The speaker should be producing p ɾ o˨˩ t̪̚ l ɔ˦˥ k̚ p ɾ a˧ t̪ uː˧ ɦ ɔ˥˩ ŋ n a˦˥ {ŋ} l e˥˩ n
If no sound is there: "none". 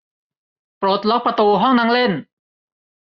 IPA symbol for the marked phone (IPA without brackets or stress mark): ŋ